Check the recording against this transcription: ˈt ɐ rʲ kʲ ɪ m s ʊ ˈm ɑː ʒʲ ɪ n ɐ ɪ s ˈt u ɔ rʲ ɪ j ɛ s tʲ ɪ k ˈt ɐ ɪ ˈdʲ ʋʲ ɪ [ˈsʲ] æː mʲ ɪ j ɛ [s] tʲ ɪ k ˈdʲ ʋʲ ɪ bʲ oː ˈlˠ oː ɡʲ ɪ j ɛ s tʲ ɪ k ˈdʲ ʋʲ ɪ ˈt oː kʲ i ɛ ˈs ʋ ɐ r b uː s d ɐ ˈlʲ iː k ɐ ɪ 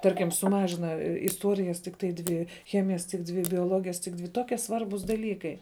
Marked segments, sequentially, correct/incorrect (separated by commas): incorrect, correct